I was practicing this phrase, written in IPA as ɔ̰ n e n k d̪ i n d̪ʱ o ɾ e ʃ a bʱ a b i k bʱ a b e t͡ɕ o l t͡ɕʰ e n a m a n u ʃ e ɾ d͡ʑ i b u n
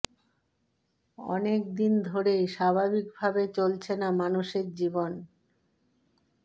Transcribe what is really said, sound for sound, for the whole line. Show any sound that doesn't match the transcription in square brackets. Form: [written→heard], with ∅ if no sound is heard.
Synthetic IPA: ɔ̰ n e [n→∅] k d̪ i n d̪ʱ o ɾ e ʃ a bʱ a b i k bʱ a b e t͡ɕ o l t͡ɕʰ e n a m a n u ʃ e ɾ d͡ʑ i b [u→o] n